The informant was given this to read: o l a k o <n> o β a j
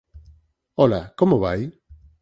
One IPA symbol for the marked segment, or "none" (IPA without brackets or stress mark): m